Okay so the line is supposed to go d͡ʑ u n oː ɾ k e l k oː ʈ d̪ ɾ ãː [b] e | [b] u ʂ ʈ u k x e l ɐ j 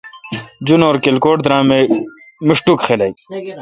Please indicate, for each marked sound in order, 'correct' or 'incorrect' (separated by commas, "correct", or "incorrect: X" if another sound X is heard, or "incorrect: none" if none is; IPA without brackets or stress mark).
incorrect: m, incorrect: m